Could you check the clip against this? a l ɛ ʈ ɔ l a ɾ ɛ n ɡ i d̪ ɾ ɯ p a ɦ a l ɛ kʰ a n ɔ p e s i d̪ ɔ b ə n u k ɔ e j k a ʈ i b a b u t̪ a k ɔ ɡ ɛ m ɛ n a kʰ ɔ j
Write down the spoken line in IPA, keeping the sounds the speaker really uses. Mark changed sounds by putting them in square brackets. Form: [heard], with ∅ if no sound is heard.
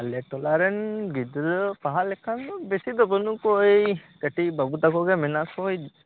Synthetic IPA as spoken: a l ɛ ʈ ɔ l a ɾ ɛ n ɡ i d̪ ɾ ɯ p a ɦ a l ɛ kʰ a n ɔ [b] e s i d̪ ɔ b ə n u k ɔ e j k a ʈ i b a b u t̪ a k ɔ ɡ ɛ m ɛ n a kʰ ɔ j